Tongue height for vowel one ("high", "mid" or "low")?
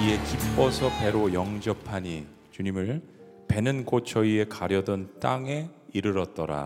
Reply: high